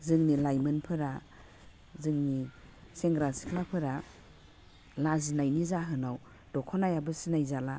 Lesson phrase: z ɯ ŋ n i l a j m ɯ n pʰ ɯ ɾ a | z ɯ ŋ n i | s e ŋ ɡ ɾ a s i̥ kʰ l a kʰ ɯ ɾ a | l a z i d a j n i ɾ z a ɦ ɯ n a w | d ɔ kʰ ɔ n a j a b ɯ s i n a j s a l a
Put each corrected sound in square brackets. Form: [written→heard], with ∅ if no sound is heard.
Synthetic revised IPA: z ɯ ŋ n i l a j m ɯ n pʰ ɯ ɾ a | z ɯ ŋ n i | s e ŋ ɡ ɾ a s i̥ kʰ l a [kʰ→pʰ] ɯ ɾ a | l a z i [d→n] a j n i [ɾ→∅] z a ɦ ɯ n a w | d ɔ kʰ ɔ n a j a b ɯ s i n a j [s→z] a l a